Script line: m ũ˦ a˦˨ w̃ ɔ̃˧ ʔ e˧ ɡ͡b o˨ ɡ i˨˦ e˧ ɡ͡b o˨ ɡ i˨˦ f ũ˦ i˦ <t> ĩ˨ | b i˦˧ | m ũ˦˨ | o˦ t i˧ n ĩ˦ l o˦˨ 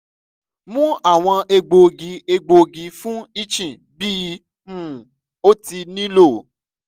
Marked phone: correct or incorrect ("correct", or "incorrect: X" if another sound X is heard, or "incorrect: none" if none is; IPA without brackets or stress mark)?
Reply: incorrect: t͡ʃ